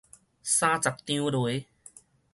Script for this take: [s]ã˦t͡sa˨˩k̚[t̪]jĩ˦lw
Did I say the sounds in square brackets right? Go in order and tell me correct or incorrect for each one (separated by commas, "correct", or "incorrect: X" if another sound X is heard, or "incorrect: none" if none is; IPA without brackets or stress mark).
correct, correct